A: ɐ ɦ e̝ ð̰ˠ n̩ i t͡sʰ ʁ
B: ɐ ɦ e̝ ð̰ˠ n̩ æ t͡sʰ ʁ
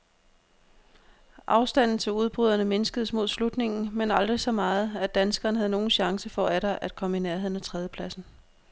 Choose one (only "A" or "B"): B